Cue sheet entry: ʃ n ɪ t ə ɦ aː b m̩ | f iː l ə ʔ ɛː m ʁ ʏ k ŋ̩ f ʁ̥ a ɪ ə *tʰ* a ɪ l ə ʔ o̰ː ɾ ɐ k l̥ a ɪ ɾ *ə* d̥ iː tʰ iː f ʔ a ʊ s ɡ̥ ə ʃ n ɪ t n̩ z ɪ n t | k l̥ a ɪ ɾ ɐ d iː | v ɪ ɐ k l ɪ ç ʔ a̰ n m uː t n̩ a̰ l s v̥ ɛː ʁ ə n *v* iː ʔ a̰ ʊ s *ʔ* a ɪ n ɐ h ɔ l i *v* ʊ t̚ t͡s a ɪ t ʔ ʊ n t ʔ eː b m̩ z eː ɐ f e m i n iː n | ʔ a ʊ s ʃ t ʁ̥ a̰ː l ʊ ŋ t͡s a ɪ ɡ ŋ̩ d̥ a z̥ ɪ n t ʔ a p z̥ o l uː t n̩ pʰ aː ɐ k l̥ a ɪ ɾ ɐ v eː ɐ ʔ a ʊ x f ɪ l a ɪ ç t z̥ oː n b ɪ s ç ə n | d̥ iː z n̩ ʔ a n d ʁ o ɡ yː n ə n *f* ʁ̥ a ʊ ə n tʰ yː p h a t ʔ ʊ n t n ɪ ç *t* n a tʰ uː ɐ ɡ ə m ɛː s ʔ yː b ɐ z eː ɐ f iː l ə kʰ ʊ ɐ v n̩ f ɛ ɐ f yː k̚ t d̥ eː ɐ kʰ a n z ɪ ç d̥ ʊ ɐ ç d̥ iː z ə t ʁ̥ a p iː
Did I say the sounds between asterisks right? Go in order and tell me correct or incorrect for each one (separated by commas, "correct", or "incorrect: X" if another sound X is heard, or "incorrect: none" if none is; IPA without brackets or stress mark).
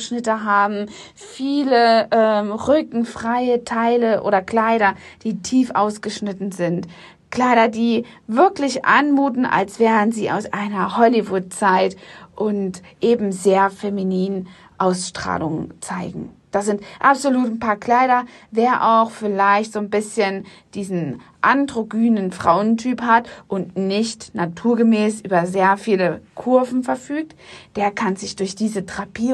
correct, incorrect: ɐ, incorrect: z, correct, correct, correct, correct